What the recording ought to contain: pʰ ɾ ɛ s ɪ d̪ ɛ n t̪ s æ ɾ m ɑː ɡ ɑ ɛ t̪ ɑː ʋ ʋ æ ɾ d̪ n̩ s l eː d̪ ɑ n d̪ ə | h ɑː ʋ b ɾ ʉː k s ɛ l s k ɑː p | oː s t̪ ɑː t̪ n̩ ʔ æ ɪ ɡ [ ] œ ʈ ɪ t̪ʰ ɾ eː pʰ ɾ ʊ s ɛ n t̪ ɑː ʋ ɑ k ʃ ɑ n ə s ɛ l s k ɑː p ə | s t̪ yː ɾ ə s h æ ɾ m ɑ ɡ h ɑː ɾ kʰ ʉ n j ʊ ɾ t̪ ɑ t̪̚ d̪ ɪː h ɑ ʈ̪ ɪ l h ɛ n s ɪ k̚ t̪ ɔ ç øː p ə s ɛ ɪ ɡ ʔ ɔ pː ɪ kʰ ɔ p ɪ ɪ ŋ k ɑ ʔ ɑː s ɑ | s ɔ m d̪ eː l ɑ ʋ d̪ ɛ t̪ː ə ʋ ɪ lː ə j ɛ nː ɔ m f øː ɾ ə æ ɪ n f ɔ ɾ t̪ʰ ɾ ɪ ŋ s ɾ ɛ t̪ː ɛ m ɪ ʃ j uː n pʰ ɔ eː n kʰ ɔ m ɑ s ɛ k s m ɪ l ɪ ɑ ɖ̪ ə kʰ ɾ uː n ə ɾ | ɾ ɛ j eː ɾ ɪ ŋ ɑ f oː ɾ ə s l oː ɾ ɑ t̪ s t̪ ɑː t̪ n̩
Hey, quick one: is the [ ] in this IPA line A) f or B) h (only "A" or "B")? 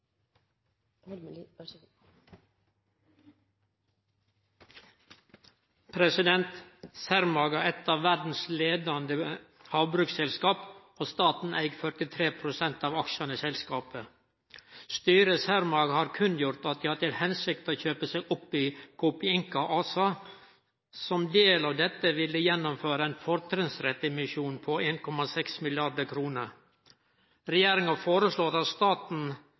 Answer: A